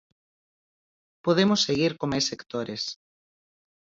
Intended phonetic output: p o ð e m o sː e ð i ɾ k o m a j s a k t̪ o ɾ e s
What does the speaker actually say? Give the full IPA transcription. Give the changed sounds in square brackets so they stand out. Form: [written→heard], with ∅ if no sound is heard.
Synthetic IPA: p o ð e m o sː e [ð→ɣ] i ɾ k o m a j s [a→e] k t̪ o ɾ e s